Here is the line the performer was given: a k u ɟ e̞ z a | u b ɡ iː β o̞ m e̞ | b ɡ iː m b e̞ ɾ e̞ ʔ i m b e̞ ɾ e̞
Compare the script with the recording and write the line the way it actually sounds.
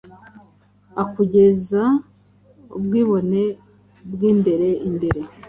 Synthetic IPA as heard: a k u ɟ e̞ z a | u b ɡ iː β o̞ n e̞ | b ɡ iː m b e̞ ɾ e̞ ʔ i m b e̞ ɾ e̞